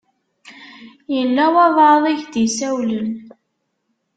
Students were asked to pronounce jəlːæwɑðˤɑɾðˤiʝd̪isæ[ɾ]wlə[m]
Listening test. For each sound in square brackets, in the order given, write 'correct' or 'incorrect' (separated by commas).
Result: incorrect, incorrect